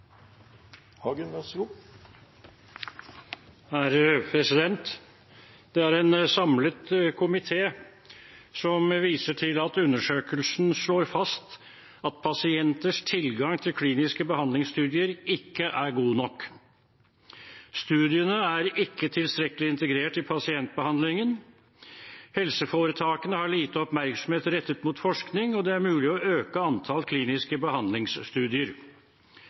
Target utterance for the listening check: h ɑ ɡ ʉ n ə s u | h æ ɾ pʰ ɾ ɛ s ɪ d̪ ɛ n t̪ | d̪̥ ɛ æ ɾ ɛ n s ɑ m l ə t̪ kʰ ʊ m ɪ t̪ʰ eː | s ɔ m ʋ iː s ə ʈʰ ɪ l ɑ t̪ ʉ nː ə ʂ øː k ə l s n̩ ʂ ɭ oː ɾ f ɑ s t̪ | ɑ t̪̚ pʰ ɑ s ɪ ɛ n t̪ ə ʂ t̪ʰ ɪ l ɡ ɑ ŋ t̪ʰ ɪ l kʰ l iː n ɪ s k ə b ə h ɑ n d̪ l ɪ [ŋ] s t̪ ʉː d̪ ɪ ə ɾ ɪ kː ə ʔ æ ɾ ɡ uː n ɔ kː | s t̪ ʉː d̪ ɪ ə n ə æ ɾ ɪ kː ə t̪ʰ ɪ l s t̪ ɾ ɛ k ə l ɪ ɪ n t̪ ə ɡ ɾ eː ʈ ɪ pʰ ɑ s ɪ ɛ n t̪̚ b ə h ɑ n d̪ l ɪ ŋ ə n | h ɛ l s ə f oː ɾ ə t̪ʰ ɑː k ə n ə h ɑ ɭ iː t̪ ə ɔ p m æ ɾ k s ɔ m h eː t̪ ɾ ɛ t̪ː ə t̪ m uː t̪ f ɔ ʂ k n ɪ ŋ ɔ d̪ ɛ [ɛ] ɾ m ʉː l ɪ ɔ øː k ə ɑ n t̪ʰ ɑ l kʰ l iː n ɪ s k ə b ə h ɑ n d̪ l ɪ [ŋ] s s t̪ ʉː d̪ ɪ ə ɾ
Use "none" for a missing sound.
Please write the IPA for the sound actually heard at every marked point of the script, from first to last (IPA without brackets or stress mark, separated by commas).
ŋ, æ, ŋ